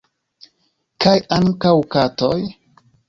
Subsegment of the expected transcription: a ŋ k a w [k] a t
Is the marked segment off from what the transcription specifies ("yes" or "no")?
no